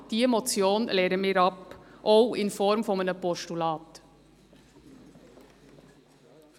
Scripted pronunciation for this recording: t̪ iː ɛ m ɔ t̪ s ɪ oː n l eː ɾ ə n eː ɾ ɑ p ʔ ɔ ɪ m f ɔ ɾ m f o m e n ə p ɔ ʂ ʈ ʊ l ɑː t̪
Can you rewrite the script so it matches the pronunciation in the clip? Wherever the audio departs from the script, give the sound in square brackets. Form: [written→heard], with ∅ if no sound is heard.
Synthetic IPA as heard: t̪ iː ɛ m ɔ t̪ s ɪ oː n l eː ɾ ə [n→m] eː ɾ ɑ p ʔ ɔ ɪ [m→n] f ɔ ɾ m f [o→ɔ] m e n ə p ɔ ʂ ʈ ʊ l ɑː t̪